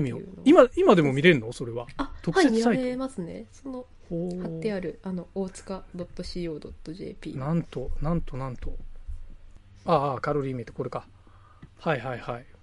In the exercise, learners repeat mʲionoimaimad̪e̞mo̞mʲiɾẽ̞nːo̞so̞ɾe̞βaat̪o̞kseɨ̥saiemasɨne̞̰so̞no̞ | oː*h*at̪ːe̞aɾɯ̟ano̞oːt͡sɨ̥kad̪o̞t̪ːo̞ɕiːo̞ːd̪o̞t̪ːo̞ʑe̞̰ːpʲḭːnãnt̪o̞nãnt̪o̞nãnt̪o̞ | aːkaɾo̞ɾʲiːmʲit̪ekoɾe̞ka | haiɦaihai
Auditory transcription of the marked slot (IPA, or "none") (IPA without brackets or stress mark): h